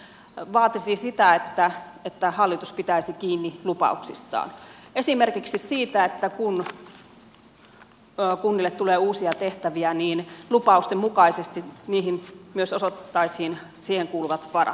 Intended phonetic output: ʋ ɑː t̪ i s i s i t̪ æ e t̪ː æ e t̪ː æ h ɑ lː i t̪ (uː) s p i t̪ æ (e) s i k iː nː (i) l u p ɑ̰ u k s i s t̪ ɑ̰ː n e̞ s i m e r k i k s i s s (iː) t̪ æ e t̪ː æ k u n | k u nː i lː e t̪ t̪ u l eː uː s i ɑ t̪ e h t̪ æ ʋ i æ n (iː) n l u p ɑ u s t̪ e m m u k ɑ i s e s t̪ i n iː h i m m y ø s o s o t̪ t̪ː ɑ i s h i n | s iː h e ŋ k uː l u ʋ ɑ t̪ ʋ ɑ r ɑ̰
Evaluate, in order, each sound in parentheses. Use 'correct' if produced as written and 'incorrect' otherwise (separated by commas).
incorrect, incorrect, correct, correct, correct